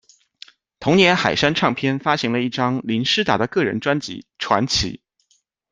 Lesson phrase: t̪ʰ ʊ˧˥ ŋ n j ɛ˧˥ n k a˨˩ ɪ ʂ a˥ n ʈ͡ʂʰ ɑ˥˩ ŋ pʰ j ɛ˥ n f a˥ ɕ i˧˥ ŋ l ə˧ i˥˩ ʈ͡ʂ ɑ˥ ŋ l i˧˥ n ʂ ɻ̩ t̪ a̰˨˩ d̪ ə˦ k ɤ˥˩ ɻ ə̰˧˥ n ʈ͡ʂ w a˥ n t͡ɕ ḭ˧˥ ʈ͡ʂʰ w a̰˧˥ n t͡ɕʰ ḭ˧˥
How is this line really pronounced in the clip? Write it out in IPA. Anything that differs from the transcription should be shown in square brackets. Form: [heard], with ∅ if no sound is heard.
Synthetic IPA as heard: t̪ʰ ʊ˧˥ ŋ n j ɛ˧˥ n [x] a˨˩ ɪ ʂ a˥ n ʈ͡ʂʰ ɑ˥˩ ŋ pʰ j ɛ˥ n f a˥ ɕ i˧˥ ŋ l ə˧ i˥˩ ʈ͡ʂ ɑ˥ ŋ l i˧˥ n ʂ ɻ̩ t̪ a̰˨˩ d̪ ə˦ k ɤ˥˩ ɻ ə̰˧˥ n ʈ͡ʂ w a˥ n t͡ɕ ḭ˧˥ ʈ͡ʂʰ w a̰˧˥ n t͡ɕʰ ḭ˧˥